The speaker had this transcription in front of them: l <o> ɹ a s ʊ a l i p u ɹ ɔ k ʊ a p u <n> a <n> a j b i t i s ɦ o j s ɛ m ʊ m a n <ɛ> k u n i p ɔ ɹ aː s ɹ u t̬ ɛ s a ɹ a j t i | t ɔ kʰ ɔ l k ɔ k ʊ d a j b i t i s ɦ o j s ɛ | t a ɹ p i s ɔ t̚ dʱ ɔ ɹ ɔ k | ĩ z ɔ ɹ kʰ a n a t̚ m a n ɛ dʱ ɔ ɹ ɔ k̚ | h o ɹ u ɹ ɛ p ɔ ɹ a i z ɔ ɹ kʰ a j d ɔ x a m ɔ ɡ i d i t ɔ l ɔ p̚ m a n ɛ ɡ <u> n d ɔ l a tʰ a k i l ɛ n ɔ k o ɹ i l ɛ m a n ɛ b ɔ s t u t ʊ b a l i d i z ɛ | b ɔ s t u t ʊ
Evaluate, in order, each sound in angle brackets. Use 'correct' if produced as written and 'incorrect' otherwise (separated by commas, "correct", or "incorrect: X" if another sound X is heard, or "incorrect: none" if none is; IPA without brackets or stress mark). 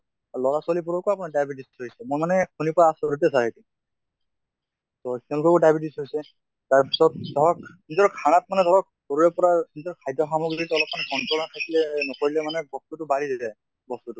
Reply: incorrect: ɔ, correct, incorrect: d, correct, incorrect: ɔ